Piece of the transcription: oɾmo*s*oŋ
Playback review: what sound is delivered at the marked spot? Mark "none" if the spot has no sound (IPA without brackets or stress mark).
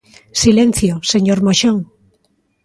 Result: ʃ